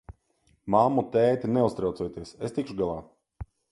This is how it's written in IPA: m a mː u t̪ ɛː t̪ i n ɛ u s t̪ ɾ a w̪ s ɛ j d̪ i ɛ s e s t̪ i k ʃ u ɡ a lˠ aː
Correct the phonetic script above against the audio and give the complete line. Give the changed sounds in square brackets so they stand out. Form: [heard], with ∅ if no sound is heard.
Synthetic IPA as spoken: m a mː u t̪ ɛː t̪ i n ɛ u s t̪ ɾ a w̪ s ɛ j [t̪] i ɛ s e s t̪ i k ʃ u ɡ a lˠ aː

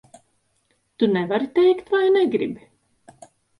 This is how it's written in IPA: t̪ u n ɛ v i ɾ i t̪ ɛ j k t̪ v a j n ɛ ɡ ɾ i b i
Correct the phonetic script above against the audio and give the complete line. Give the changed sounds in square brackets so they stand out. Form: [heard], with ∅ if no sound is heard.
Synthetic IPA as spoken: t̪ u n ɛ v [a] ɾ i t̪ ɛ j k t̪ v a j n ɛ ɡ ɾ i b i

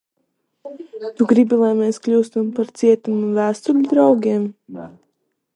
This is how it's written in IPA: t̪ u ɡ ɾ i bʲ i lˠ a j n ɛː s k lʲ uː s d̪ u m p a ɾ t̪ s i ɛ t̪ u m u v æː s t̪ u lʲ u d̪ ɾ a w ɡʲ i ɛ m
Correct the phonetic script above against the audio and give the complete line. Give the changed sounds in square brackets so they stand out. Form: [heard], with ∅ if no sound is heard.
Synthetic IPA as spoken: t̪ u ɡ ɾ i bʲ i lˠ a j [m] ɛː s k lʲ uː s [t̪] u m p a ɾ t̪ s i ɛ t̪ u m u v æː s t̪ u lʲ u d̪ ɾ a w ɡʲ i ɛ m

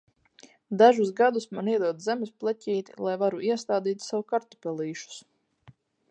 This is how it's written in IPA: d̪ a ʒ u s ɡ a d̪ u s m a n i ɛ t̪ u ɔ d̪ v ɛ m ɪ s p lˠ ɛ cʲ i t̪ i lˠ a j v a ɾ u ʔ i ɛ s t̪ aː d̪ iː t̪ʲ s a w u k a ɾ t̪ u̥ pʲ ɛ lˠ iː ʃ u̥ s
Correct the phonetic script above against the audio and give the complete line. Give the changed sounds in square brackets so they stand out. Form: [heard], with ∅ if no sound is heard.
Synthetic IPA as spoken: d̪ a ʒ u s ɡ a d̪ u s m a n i ɛ [d̪] u ɔ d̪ [z] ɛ m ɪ s p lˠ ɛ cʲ [iː] t̪ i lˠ a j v a ɾ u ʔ i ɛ s t̪ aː d̪ iː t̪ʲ s a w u k a ɾ t̪ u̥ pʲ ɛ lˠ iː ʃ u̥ s

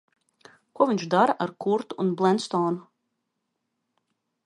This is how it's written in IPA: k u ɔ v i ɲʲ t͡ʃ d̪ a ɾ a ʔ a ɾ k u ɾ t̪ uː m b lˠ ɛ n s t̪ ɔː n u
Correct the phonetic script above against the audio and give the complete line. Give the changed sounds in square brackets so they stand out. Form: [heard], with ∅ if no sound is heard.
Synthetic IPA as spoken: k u ɔ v i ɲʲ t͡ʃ d̪ a ɾ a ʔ a ɾ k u ɾ t̪ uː [n] b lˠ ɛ n s t̪ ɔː n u

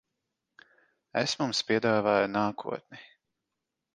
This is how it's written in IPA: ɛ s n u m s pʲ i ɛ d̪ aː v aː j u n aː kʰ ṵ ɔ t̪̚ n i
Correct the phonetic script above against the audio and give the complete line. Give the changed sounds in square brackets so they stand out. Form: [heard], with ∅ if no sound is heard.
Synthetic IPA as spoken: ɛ s [m] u m s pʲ i ɛ d̪ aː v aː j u n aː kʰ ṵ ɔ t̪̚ n i

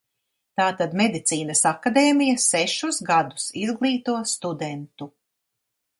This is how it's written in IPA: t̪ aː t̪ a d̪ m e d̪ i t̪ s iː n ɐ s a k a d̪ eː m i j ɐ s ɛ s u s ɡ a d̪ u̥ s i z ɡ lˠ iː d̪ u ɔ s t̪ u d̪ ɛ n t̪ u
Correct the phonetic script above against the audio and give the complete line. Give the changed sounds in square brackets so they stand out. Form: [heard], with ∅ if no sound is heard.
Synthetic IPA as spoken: t̪ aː t̪ a d̪ m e d̪ i t̪ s iː n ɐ s a k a d̪ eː m i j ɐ s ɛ [ʃ] u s ɡ a d̪ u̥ s i z ɡ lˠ iː [t̪] u ɔ s t̪ u d̪ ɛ n t̪ u

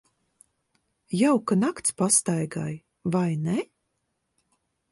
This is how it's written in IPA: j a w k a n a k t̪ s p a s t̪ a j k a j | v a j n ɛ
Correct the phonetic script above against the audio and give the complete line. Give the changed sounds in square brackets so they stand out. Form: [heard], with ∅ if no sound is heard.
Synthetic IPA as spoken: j a w k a n a k t̪ s p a s t̪ a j [ɡ] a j | v a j n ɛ

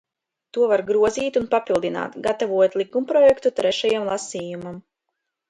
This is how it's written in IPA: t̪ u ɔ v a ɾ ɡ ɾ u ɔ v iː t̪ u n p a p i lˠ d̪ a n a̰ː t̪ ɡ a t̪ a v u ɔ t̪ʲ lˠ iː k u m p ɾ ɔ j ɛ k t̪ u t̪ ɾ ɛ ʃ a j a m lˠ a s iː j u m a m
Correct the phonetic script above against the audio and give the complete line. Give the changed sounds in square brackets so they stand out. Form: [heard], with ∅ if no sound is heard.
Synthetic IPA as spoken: t̪ u ɔ v a ɾ ɡ ɾ u ɔ [z] iː t̪ u n p a p i lˠ d̪ [i] n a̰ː t̪ ɡ a t̪ a v u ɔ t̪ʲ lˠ [i] k u m p ɾ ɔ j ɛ k t̪ u t̪ ɾ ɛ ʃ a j a m lˠ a s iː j u m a m

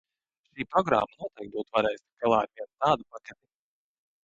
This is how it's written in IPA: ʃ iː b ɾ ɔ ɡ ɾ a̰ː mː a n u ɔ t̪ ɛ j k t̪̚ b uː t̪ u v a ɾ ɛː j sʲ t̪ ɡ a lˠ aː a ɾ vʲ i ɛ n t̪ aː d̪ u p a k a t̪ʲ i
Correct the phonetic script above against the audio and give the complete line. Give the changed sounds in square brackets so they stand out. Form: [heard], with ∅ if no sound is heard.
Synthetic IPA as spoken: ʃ iː [p] ɾ ɔ ɡ ɾ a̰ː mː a n u ɔ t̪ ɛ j k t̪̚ b uː t̪ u v a ɾ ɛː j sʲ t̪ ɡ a lˠ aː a ɾ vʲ i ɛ n t̪ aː d̪ u p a k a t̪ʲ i

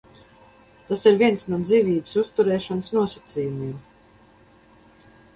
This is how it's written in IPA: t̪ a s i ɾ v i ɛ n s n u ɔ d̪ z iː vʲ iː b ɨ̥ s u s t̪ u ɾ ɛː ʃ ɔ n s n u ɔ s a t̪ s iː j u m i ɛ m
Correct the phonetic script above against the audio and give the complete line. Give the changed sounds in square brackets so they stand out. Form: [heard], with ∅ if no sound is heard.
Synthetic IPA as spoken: t̪ a s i ɾ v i ɛ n s n u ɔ d̪ z iː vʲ iː b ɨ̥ s u s t̪ u ɾ ɛː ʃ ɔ n s n u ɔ s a t̪ s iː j u m i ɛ m

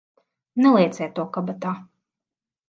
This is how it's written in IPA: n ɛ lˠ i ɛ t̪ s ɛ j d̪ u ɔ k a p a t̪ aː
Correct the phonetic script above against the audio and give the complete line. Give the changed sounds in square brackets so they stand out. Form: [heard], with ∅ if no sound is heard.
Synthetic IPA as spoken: n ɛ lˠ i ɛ t̪ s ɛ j [t̪] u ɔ k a [b] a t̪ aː

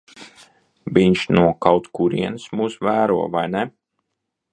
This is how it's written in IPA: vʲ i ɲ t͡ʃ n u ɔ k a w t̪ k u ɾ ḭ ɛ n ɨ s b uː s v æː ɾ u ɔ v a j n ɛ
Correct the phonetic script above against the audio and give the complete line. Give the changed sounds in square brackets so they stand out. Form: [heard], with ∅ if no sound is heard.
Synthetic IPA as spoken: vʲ i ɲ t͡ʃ n u ɔ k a w t̪ k u ɾ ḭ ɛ n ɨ s [m] uː s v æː ɾ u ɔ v a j n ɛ

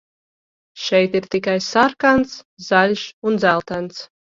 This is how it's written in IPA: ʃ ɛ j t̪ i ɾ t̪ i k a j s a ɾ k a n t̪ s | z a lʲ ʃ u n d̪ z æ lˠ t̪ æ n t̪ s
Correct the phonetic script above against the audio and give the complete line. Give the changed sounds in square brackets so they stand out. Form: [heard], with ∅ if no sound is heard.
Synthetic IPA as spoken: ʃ ɛ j t̪ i ɾ t̪ i k a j s a ɾ k a n t̪ s | z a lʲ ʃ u n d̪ z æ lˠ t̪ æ n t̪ s

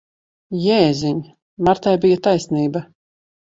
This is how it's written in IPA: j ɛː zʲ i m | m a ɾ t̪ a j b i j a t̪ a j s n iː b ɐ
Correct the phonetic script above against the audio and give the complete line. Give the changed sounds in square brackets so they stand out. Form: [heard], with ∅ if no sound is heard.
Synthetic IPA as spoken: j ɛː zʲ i [ɲ] | m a ɾ t̪ a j b i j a t̪ a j s n iː b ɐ

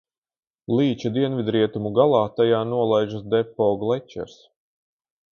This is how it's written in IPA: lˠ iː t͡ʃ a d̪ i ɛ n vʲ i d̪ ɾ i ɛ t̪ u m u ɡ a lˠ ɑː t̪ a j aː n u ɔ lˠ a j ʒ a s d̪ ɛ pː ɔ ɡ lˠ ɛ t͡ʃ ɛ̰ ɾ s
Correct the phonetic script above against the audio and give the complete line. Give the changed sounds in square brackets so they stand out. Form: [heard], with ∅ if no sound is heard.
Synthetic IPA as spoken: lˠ iː t͡ʃ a d̪ i ɛ n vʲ i d̪ ɾ i ɛ t̪ u m u ɡ a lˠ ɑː t̪ a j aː n u ɔ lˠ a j ʒ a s d̪ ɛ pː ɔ ɡ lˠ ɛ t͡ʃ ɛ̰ ɾ s

